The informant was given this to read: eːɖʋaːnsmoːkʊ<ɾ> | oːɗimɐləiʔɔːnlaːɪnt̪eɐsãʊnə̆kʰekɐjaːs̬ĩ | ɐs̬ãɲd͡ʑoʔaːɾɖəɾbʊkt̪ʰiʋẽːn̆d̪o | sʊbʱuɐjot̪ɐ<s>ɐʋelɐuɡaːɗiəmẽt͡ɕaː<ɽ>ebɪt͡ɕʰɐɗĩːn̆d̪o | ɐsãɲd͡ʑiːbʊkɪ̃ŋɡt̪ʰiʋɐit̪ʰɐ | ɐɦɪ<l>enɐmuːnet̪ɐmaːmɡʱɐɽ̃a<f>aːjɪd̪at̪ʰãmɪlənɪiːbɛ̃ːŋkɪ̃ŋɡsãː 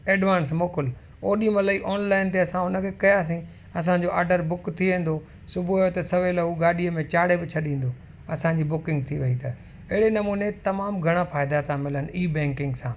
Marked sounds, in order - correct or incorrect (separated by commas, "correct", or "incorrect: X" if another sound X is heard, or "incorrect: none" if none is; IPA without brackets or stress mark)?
incorrect: l, correct, correct, incorrect: ɽ, correct